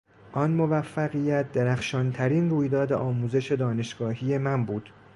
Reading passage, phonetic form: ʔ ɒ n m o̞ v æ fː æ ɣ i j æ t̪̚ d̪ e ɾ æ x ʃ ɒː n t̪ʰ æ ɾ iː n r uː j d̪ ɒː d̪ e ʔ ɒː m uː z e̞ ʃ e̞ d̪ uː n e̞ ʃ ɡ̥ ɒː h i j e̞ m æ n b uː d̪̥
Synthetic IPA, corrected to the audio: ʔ ɒ n m o̞ v æ fː æ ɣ i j æ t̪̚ d̪ e ɾ æ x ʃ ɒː n t̪ʰ æ ɾ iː n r uː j d̪ ɒː d̪ e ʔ ɒː m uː z e̞ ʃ e̞ d̪ ɒː n e̞ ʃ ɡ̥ ɒː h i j e̞ m æ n b uː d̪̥

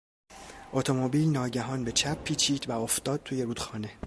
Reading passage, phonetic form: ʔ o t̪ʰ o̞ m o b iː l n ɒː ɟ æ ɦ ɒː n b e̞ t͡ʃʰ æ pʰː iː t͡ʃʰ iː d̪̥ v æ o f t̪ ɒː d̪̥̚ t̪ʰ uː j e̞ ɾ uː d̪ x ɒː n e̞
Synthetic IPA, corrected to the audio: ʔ o t̪ʰ o̞ m o b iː l n ɒː ɟ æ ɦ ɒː n b e̞ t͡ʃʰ æ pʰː iː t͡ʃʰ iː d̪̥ v æ o f t̪ ɒː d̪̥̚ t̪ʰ uː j e̞ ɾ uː d̪ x ɒː n e̞

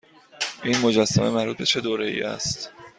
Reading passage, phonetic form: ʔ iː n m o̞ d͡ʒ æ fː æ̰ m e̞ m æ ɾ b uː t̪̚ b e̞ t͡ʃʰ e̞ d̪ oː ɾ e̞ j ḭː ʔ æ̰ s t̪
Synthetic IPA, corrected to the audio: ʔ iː n m o̞ d͡ʒ æ sː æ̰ m e̞ m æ ɾ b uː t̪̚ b e̞ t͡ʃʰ e̞ d̪ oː ɾ e̞ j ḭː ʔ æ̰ s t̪

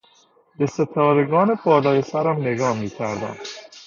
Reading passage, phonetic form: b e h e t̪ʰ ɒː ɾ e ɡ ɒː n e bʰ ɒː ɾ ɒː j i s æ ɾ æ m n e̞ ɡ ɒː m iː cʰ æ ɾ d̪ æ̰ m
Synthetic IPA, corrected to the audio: b e s e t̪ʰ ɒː ɾ e ɡ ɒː n e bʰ ɒː l ɒː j e s æ ɾ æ m n e̞ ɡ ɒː m iː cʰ æ ɾ d̪ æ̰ m

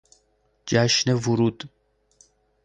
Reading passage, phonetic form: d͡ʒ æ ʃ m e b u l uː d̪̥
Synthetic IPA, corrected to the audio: d͡ʒ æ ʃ n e v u ɾ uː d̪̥

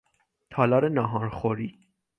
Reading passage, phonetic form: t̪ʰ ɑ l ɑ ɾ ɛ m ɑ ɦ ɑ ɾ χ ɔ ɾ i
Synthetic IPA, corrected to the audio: t̪ʰ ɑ l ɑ ɾ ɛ n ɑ ɦ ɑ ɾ χ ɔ ɾ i

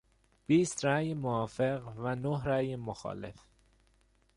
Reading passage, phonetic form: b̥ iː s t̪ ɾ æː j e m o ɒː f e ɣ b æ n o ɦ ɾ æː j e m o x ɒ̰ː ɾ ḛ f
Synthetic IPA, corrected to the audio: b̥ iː s t̪ ɾ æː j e m o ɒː f e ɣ v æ n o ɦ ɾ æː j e m o x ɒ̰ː l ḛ f

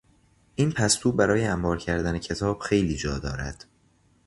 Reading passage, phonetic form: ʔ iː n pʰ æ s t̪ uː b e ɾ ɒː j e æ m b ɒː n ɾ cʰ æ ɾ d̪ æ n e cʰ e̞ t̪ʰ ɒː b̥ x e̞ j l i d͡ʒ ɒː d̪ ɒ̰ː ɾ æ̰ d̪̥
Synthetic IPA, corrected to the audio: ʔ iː n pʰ æ s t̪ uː b æ ɾ ɒː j e æ m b ɒː ɾ cʰ æ ɾ d̪ æ n e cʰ e̞ t̪ʰ ɒː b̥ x e̞ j l iː d͡ʒ ɒː d̪ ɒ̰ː ɾ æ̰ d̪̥

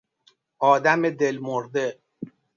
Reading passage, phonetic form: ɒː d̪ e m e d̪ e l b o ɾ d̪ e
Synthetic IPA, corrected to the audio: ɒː d̪ æ m e d̪ e l m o ɾ d̪ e

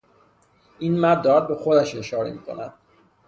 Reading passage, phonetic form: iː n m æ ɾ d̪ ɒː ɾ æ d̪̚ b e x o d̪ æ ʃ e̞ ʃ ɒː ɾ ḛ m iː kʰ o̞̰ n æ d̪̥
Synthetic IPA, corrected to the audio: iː n m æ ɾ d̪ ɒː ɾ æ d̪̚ b e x o d̪ æ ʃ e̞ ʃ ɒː ɾ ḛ m iː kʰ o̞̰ n æ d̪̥

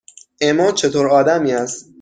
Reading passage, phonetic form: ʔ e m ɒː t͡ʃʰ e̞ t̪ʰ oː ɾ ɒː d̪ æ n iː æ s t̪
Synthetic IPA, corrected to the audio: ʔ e m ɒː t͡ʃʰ e̞ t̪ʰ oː ɾ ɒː d̪ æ m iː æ s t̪

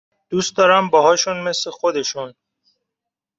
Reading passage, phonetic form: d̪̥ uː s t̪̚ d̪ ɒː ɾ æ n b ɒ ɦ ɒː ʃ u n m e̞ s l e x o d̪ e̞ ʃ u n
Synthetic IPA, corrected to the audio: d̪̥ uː s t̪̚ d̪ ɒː ɾ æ m b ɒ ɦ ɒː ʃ u n m e̞ s l e x o d̪ e̞ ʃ u n

